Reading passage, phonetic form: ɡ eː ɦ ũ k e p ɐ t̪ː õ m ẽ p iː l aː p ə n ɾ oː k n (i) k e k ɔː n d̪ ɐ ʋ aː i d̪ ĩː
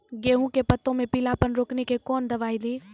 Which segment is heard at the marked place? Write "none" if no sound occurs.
e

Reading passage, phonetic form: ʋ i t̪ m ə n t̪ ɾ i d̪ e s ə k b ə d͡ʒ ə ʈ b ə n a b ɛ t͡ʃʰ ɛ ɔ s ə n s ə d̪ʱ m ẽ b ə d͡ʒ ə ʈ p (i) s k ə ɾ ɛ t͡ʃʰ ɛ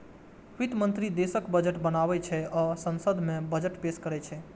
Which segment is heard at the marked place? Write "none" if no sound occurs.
e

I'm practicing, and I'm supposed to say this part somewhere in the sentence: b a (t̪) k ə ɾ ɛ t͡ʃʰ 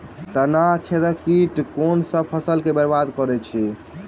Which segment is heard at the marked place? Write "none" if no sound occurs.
d̪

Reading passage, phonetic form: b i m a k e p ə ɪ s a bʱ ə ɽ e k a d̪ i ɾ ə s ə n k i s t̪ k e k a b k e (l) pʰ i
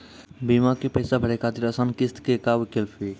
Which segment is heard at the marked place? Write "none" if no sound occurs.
l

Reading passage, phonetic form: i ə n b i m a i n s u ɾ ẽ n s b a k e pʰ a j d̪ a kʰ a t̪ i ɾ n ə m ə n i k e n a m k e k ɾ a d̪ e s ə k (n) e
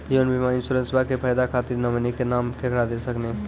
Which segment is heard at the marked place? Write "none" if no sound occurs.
n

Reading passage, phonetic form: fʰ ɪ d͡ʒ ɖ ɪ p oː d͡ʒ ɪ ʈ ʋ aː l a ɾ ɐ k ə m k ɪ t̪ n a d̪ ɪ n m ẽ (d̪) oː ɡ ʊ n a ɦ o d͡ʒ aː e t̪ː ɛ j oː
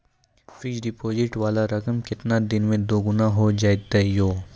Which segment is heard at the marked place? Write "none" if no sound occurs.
d̪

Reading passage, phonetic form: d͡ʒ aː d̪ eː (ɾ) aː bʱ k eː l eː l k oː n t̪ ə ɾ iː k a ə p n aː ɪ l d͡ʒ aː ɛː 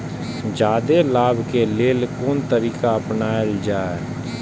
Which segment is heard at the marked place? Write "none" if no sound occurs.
l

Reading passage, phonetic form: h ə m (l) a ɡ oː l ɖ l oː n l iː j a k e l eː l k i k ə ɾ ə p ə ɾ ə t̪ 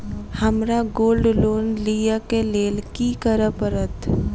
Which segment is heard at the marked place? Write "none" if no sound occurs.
ɾ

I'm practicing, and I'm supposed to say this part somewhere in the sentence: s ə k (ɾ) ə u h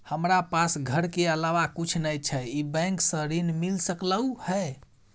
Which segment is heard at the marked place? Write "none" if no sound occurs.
l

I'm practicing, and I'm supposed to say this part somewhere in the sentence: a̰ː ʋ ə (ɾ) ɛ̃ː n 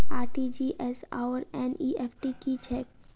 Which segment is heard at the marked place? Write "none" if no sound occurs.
ɾ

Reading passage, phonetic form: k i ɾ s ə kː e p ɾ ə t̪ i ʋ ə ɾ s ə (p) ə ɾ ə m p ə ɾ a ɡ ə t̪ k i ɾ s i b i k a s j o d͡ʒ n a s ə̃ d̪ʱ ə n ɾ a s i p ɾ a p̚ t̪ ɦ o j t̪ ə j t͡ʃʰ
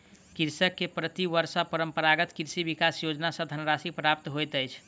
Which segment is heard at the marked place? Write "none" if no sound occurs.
p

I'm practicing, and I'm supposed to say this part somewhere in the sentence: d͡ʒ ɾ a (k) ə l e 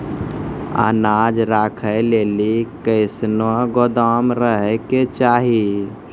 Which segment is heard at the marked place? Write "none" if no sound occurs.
kʰ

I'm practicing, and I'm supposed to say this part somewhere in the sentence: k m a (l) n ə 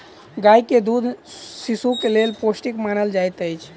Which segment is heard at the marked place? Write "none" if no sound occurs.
none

